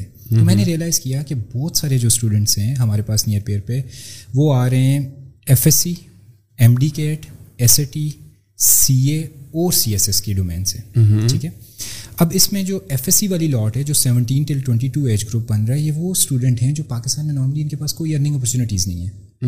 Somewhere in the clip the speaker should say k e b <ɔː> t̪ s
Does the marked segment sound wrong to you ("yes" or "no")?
no